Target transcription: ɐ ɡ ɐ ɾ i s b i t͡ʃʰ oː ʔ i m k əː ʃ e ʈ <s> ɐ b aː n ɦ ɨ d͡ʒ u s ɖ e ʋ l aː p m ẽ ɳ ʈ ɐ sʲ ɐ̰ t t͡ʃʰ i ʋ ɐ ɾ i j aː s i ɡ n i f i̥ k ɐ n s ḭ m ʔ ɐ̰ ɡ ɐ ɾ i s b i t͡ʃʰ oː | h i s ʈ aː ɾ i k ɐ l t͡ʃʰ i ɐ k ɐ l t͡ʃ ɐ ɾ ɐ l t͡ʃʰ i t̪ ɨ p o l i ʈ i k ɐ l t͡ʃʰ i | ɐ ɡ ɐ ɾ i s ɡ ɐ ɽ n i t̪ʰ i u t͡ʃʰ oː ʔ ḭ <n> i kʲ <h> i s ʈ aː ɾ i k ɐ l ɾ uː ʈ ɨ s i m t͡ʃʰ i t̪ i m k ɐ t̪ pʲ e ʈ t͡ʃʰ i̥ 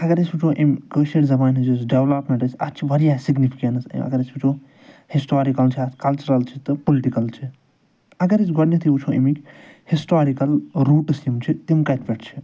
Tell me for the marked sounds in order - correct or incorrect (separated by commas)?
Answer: incorrect, incorrect, correct